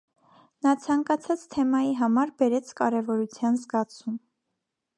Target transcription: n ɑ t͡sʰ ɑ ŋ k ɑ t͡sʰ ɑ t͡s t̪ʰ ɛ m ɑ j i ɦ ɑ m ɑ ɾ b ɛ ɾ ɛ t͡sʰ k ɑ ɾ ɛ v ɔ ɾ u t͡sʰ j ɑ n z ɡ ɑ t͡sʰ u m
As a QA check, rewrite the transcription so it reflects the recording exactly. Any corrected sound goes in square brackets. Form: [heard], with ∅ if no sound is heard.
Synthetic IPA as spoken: n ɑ t͡sʰ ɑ ŋ k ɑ t͡sʰ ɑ t͡s t̪ʰ ɛ m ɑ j i ɦ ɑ m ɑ ɾ b ɛ ɾ ɛ t͡sʰ k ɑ ɾ ɛ v ɔ ɾ u t͡sʰ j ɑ n z ɡ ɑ t͡sʰ u m